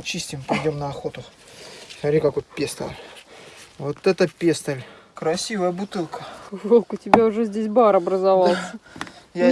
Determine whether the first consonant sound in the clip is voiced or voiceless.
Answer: voiceless